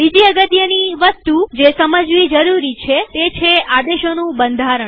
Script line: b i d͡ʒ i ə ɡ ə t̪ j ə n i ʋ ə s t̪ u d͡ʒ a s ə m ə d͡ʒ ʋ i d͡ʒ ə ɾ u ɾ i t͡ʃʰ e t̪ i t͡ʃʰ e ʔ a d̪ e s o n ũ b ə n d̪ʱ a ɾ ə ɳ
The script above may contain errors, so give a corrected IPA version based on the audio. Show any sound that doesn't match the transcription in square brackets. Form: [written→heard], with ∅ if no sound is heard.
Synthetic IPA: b i d͡ʒ i ə ɡ ə t̪ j ə n i ʋ ə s t̪ u d͡ʒ [a→e] s ə m ə d͡ʒ ʋ i d͡ʒ ə ɾ u ɾ i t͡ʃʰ e t̪ [i→e] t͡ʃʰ e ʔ a d̪ e [s→ʃ] o n ũ b ə n d̪ʱ a ɾ ə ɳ